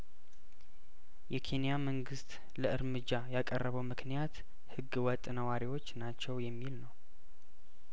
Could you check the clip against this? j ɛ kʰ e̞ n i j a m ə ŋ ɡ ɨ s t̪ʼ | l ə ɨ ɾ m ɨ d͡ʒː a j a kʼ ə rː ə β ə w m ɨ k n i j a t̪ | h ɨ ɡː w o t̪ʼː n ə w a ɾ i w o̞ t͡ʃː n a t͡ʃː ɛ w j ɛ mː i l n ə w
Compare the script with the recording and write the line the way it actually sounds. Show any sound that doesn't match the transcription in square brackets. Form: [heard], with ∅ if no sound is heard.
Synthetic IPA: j ɛ kʰ e̞ n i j a m ə ŋ ɡ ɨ s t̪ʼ | l ə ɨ ɾ m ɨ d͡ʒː a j a kʼ ə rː ə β ə w m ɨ k n i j a t̪ | h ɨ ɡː w [ɔ] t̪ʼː n ə w a ɾ i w o̞ t͡ʃː n a t͡ʃː ɛ w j ɛ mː i l n ə w